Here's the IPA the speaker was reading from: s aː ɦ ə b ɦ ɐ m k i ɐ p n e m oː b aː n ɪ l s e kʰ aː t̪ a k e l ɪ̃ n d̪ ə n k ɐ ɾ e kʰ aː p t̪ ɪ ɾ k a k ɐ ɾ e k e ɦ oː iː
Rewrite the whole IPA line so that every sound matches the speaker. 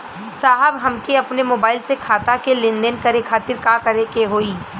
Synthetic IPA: s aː ɦ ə b ɦ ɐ m k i ɐ p n e m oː b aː ɪ l s e kʰ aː t̪ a k e l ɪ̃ n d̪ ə n k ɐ ɾ e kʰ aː t̪ ɪ ɾ k a k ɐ ɾ e k e ɦ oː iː